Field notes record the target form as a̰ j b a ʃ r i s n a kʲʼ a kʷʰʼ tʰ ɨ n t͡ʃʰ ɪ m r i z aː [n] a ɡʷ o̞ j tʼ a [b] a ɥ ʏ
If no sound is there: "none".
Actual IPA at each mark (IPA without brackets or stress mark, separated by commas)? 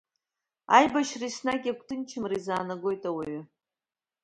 n, w